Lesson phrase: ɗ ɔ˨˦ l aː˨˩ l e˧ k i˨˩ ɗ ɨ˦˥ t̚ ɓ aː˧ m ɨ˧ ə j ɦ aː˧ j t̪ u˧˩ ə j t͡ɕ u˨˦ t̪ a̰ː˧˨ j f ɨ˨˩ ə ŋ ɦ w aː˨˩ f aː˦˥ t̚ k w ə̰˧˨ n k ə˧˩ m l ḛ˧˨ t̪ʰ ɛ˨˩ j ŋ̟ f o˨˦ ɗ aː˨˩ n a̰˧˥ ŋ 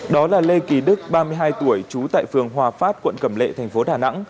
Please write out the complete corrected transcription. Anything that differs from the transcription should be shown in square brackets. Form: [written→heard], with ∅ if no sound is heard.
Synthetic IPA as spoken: ɗ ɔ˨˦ l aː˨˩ l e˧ k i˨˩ ɗ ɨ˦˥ [t̚→k̚] ɓ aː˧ m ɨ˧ ə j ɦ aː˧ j t̪ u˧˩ ə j t͡ɕ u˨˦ t̪ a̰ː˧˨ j f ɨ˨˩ ə ŋ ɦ w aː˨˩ f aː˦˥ t̚ k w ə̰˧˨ n k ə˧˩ m l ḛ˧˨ t̪ʰ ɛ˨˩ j ŋ̟ f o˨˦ ɗ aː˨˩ n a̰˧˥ ŋ